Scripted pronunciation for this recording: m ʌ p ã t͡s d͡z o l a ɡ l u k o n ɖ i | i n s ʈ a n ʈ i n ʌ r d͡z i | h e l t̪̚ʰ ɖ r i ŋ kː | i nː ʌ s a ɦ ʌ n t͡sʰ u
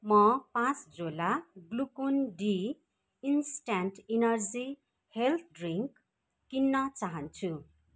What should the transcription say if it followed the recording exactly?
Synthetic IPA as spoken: m ʌ p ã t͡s d͡z o l a ɡ l u k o n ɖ i | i n s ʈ a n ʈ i n ʌ r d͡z i | h e l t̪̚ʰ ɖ r i ŋ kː | i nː ʌ t͡s a ɦ ʌ n t͡sʰ u